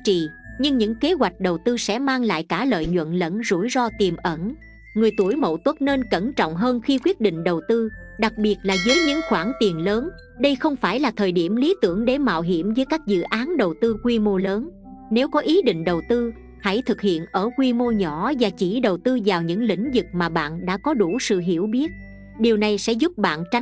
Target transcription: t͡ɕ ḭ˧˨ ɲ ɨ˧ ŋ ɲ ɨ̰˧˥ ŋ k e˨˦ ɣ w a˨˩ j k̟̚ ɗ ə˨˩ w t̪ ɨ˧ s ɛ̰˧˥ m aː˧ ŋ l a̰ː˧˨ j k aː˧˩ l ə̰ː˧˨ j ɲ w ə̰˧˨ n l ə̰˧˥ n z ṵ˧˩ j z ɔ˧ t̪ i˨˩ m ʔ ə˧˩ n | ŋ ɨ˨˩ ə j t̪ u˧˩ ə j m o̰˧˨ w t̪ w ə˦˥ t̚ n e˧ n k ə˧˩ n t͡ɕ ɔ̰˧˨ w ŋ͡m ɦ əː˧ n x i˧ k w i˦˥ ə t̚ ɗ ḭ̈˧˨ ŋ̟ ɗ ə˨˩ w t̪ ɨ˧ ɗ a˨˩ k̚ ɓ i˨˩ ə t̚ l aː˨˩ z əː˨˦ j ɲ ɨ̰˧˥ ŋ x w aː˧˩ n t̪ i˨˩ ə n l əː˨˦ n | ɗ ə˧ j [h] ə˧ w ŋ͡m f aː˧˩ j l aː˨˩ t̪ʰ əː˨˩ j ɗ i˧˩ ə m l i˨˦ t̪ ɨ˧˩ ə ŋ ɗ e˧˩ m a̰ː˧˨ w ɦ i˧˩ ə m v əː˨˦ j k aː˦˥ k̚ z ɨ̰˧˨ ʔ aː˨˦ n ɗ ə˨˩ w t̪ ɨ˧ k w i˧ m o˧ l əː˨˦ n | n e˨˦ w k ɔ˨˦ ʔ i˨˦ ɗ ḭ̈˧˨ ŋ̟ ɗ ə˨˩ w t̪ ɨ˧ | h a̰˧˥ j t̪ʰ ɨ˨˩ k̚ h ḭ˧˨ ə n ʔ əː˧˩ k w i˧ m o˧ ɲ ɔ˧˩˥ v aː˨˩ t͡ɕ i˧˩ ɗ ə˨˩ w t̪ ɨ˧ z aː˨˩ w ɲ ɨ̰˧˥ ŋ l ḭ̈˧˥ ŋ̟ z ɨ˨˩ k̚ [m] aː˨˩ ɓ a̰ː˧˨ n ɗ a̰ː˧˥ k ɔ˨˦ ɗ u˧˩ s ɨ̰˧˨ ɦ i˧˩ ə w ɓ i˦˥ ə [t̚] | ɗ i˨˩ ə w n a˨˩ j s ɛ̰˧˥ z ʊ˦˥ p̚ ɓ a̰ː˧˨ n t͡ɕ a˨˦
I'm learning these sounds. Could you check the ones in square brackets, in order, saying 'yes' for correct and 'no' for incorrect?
no, yes, yes

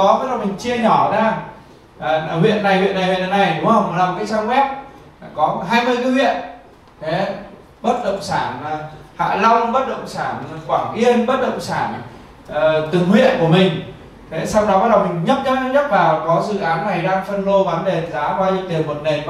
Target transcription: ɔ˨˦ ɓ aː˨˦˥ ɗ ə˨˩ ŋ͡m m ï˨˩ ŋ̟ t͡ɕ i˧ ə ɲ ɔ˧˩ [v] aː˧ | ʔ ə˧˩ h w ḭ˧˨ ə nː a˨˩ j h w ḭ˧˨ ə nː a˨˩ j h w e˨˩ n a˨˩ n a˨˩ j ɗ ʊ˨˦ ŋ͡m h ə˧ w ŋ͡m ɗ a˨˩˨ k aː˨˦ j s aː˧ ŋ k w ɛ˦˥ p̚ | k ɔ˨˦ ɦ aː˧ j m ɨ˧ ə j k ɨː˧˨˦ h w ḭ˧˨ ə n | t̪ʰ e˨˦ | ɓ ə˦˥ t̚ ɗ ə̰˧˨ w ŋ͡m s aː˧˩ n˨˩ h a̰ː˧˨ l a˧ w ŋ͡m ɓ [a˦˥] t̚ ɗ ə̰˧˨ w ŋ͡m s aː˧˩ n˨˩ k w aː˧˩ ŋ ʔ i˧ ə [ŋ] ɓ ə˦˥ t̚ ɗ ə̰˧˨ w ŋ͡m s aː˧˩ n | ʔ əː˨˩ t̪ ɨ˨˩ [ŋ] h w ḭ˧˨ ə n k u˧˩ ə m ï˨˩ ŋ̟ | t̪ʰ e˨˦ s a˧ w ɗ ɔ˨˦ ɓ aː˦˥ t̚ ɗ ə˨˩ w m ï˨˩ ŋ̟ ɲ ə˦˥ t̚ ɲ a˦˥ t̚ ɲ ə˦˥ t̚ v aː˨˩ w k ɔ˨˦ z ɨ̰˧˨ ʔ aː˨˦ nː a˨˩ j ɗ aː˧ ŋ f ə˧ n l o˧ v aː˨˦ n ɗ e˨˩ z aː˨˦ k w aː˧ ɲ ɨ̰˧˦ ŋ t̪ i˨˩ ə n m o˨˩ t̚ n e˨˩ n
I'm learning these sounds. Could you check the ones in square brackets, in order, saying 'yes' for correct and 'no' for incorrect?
no, no, no, yes

